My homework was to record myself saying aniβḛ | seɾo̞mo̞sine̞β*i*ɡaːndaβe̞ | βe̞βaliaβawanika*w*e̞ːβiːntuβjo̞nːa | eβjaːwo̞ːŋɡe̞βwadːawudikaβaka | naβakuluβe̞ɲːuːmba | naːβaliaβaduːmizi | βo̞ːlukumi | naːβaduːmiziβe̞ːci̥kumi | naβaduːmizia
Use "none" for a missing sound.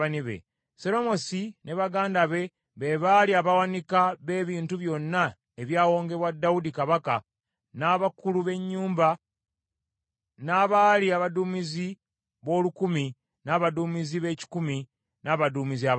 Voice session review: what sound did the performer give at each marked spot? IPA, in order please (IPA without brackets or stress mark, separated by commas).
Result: a, β